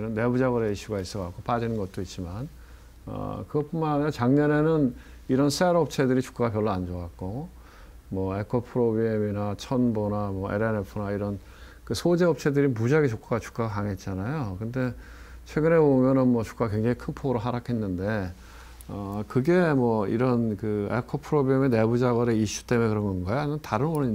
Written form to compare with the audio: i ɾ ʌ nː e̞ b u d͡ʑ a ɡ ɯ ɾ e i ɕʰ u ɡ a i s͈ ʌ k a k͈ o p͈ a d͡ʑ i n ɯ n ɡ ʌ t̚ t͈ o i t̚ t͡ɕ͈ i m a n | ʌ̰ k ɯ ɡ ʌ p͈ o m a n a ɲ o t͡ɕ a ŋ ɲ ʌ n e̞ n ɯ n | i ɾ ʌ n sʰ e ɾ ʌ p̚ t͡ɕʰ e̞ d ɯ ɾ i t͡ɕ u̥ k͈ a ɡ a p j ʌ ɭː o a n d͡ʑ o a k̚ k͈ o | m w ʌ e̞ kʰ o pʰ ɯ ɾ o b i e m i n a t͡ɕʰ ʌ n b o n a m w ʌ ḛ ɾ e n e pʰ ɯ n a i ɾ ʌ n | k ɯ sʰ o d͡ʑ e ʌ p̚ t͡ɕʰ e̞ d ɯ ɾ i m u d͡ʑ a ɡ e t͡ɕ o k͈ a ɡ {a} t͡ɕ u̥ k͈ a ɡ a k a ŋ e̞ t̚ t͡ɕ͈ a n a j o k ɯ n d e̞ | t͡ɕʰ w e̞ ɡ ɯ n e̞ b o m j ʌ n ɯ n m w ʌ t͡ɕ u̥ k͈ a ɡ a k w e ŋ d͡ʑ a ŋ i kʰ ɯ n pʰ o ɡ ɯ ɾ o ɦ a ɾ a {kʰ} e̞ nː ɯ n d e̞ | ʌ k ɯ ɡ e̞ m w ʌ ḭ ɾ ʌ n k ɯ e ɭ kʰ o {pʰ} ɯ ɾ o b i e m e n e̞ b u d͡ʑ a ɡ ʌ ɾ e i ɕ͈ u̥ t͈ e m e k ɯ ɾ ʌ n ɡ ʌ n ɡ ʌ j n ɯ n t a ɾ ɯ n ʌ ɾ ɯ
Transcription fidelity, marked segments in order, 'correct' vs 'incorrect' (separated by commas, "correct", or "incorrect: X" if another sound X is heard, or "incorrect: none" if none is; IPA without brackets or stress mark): correct, correct, correct